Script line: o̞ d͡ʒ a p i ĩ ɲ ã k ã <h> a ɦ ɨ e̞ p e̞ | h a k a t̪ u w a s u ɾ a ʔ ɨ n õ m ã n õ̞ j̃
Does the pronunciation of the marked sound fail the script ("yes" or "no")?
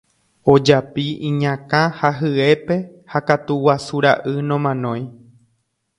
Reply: no